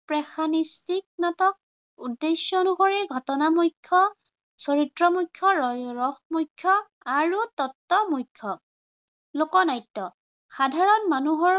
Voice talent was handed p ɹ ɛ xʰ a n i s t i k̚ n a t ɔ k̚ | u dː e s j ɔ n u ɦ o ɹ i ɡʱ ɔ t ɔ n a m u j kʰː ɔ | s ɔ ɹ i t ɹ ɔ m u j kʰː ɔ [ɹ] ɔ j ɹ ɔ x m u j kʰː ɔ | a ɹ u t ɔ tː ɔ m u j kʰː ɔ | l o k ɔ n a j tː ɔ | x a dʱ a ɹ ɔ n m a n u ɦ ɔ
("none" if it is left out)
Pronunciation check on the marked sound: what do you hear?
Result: ɹ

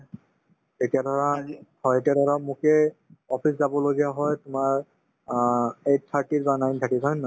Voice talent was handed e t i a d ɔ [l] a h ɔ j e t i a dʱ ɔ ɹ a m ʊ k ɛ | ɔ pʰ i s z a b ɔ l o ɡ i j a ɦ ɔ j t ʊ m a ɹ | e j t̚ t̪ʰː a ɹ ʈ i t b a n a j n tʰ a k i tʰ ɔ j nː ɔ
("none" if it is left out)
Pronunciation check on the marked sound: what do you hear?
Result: ɹ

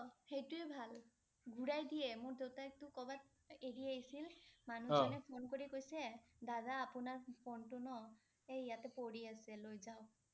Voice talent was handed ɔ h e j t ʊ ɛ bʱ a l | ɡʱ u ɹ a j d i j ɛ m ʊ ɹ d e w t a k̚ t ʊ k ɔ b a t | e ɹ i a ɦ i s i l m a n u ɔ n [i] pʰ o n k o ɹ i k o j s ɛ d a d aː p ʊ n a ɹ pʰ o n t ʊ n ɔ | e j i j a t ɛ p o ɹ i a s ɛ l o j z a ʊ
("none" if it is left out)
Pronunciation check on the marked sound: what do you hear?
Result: ɛ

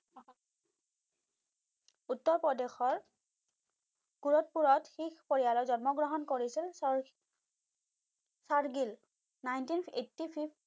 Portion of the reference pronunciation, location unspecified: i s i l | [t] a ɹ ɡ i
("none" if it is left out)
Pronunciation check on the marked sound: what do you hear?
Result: s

